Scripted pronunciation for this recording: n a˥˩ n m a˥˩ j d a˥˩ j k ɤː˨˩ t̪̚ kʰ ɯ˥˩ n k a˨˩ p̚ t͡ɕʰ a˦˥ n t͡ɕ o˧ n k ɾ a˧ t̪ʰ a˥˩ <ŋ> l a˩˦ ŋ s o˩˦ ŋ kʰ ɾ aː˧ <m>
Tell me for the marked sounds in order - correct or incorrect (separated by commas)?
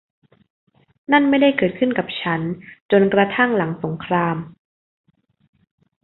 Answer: correct, correct